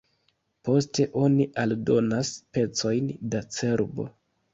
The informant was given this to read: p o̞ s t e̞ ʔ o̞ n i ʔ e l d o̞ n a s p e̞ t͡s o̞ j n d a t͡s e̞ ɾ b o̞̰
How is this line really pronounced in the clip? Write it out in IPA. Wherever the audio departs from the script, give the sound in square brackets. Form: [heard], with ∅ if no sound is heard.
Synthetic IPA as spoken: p o̞ s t e̞ ʔ o̞ n i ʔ [a] l d o̞ n a s p e̞ t͡s o̞ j n d a t͡s e̞ ɾ b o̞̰